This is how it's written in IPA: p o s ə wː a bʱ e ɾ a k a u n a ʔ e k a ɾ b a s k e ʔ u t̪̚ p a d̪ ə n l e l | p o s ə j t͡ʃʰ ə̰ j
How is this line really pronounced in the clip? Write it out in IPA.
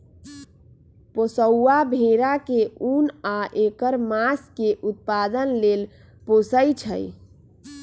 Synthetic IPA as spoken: p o s ə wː a bʱ e ɾ a k e u n a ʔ e k ə ɾ m a s k e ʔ u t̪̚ p a d̪ ə n l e l | p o s ə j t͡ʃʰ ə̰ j

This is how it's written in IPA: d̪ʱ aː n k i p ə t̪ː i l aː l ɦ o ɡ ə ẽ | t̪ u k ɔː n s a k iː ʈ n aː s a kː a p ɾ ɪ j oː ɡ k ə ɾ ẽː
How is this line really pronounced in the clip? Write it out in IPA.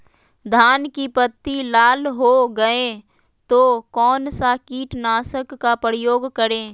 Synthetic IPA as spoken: d̪ʱ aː n k i p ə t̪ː i l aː l ɦ o ɡ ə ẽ | t̪ o k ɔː n s a k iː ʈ n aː s ə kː a p ɾ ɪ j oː ɡ k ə ɾ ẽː

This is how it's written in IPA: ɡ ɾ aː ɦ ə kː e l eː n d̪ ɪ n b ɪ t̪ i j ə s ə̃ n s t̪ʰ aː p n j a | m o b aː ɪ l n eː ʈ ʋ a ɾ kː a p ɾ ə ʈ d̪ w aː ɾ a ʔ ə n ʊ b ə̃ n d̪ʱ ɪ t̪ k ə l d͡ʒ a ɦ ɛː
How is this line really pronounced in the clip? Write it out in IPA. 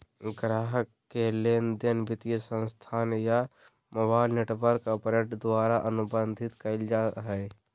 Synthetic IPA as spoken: ɡ ɾ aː ɦ ə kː e l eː n d̪ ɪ n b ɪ t̪ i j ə s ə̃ n s t̪ʰ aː n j a | m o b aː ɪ l n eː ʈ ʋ ə ɾ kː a p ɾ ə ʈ d̪ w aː ɾ a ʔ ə n ʊ b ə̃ n d̪ʱ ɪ t̪ k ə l d͡ʒ a ɦ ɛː

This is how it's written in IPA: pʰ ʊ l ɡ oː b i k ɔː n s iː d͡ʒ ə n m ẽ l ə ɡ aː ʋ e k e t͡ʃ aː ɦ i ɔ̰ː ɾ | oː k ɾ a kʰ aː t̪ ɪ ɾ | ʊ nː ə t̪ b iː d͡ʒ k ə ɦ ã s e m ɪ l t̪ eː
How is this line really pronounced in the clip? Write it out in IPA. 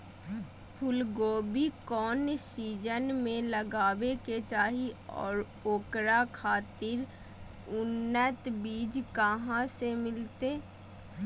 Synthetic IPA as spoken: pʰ ʊ l ɡ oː b i k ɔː n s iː d͡ʒ ə n m ẽ l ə ɡ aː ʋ e k e t͡ʃ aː ɦ i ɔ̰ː ɾ | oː k ɾ a kʰ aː t̪ ɪ ɾ | ʊ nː ə t̪ b iː d͡ʒ k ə ɦ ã s e m ɪ l t̪ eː

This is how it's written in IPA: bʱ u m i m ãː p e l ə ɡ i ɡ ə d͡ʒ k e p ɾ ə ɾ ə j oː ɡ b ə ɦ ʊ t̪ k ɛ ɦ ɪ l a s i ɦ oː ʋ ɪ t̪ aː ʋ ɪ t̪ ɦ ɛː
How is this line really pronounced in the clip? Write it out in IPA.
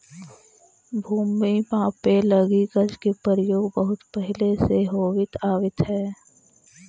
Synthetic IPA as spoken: bʱ uː m i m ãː p e l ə ɡ i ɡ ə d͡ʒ k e p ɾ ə ɾ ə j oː ɡ b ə ɦ ʊ t̪ p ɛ ɦ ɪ l e s e ɦ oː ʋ ɪ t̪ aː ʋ ɪ t̪ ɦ ɛː

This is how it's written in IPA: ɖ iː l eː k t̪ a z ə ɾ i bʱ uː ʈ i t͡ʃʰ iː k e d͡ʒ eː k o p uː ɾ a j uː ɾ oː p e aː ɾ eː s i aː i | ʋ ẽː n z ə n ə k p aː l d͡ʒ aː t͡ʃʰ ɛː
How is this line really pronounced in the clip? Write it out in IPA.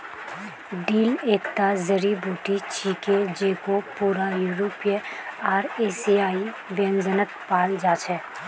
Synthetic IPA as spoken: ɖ iː l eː k t̪ a z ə ɾ i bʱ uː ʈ i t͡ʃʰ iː k e d͡ʒ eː k o p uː ɾ a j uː ɾ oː p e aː ɾ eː s i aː i | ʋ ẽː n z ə n ə k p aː l d͡ʒ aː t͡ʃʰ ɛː

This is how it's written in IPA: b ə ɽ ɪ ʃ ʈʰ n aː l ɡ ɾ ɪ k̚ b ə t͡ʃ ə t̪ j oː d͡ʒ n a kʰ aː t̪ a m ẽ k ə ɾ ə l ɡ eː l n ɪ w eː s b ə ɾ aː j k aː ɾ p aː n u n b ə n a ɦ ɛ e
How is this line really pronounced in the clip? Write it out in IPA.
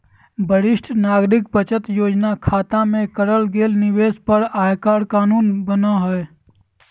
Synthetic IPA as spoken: b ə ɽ ɪ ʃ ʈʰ n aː ɡ ɾ ɪ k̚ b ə t͡ʃ ə t̪ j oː d͡ʒ n a kʰ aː t̪ a m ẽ k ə ɾ ə l ɡ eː l n ɪ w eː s p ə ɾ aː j k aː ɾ k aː n uː n b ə n a ɦ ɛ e

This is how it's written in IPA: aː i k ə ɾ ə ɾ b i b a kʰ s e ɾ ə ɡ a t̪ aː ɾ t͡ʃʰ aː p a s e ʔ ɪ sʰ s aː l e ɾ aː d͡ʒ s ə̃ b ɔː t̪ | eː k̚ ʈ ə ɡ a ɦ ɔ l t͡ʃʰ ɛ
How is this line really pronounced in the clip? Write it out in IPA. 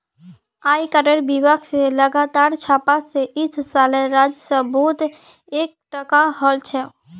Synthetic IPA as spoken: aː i k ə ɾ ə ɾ b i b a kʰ s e l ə ɡ a t̪ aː ɾ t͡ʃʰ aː p a s e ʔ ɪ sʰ s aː l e ɾ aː d͡ʒ s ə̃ b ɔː t̪ | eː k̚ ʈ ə k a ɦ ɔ l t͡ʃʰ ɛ

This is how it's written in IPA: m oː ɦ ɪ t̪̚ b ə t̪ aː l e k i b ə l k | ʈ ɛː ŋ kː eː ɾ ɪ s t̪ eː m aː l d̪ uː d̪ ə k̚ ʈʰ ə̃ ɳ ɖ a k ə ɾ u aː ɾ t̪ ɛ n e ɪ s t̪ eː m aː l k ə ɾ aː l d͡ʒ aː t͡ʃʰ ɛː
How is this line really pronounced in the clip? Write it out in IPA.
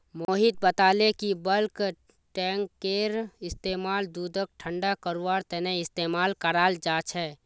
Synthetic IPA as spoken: m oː ɦ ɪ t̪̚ b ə t̪ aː l e k i b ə l k | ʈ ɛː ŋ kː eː ɾ ɪ s t̪ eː m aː l d̪ uː d̪ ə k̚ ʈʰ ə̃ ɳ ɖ a k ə ɾ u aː ɾ t̪ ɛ n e ɪ s t̪ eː m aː l k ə ɾ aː l d͡ʒ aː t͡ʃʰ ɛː

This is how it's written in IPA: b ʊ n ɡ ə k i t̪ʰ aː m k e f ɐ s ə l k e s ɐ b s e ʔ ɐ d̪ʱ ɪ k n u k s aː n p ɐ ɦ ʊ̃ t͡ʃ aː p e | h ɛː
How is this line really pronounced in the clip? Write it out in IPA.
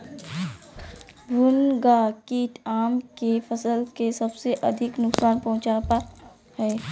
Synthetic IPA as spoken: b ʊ n ɡ a k i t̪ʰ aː m k e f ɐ s ə l k e s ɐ b s e ʔ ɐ d̪ʱ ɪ k n ʊ k s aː n p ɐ ɦ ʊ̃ t͡ʃ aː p a | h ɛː

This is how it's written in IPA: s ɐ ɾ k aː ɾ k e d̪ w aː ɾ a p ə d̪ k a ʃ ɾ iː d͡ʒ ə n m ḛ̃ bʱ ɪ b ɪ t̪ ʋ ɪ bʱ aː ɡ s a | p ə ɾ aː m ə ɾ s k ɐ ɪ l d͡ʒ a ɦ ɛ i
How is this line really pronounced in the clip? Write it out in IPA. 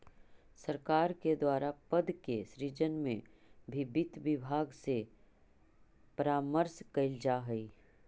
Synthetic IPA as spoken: s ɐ ɾ k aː ɾ k e d̪ w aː ɾ a p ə d̪ k e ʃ ɾ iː d͡ʒ ə n m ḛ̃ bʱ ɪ b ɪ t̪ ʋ ɪ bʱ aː ɡ s e | p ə ɾ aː m ə ɾ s k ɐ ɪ l d͡ʒ a ɦ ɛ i

